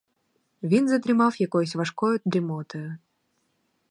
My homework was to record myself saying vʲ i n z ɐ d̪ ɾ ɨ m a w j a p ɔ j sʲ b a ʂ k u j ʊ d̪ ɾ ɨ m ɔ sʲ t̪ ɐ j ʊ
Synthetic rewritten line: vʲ i n z ɐ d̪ ɾ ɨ m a w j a k ɔ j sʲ v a ʂ k ɔ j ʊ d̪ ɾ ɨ m ɔ t̪ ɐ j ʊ